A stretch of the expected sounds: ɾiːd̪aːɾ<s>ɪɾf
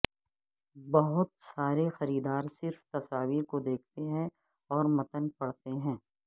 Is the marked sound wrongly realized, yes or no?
no